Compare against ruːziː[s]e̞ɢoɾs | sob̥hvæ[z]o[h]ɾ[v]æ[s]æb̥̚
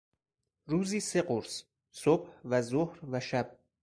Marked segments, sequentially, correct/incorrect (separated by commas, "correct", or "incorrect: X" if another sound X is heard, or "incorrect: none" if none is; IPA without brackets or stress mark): correct, correct, correct, correct, incorrect: ʃ